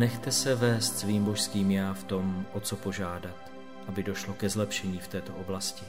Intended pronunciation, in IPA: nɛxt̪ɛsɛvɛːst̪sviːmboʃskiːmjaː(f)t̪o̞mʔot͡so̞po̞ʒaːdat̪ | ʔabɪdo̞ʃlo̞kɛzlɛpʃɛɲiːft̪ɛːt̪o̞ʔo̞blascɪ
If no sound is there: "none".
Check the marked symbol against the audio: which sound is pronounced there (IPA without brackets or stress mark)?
f